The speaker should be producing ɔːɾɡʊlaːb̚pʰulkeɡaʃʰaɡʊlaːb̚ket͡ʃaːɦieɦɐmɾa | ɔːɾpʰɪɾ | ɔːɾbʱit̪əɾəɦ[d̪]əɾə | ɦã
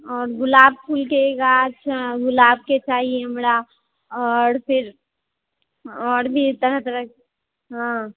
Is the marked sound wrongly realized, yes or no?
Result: yes